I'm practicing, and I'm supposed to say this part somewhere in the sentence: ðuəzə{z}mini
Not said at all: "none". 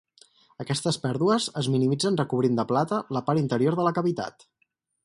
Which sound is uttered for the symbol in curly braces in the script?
z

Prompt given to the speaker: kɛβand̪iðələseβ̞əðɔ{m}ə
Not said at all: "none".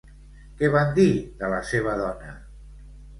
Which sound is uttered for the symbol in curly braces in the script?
n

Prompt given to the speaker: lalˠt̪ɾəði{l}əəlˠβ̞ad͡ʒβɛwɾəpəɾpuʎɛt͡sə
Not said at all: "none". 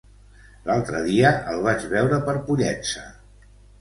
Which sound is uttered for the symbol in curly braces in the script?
none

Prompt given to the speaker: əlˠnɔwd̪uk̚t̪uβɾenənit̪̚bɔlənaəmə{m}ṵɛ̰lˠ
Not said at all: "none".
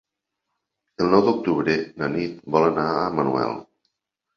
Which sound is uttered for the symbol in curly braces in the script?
n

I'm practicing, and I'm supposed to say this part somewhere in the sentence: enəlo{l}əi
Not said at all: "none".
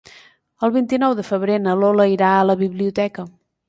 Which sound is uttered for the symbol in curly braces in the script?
l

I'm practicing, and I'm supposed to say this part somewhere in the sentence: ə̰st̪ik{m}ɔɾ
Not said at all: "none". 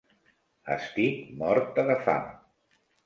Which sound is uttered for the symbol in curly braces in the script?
m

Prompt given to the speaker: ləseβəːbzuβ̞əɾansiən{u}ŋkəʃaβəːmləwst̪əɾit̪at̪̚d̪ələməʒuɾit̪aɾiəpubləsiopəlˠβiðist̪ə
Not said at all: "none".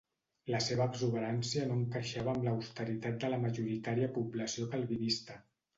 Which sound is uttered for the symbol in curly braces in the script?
o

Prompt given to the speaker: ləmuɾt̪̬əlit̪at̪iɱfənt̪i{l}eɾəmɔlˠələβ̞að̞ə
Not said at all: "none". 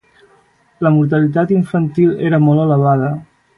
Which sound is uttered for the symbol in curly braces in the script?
l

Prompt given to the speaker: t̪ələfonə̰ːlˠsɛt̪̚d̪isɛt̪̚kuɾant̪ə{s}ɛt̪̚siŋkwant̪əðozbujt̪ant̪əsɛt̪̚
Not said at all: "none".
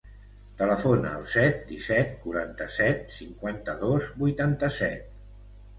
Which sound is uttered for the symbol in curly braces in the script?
s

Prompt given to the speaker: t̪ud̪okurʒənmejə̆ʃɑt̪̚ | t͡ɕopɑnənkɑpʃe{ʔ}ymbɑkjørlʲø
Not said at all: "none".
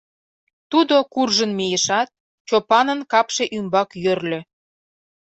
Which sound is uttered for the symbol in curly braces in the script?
ʔ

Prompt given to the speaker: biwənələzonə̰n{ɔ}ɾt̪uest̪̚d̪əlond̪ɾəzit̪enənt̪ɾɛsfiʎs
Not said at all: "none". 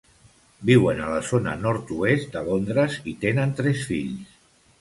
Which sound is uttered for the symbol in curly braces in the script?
ɔ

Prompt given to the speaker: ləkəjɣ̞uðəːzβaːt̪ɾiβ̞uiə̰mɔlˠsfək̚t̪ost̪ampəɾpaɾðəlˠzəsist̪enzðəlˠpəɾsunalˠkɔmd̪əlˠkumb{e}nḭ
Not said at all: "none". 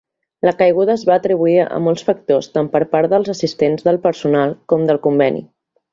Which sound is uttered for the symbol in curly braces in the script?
ɛ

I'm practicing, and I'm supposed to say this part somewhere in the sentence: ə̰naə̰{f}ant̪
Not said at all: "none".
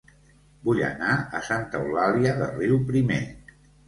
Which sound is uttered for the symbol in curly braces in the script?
s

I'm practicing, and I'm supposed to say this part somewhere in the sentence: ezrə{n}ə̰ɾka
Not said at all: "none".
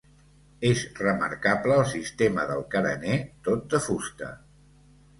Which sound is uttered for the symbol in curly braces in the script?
m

